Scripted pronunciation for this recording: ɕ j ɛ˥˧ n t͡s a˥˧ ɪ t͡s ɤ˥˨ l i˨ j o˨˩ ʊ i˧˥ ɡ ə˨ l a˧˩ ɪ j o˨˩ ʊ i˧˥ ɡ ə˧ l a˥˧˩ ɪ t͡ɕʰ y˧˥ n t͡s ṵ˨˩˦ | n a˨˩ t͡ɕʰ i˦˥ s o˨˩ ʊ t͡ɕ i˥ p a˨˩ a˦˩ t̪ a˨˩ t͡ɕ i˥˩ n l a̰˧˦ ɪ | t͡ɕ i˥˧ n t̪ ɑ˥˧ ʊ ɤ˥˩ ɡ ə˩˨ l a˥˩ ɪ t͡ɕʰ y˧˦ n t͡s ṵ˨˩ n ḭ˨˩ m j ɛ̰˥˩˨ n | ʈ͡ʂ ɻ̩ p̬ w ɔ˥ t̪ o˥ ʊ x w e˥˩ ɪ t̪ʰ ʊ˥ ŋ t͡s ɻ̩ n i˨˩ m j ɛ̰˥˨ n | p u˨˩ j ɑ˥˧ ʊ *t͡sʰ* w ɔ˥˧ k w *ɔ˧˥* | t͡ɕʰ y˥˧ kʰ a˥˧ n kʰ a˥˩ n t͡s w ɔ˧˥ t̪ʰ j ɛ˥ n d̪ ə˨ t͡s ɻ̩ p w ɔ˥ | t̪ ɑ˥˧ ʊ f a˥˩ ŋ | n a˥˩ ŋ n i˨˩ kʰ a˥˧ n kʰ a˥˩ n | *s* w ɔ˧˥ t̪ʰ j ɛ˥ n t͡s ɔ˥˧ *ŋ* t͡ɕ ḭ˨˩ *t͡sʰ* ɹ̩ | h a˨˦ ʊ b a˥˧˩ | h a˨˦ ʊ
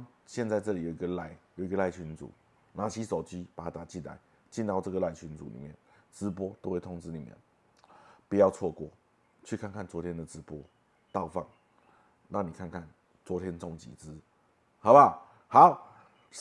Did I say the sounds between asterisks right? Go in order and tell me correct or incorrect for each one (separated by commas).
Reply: correct, incorrect, incorrect, correct, incorrect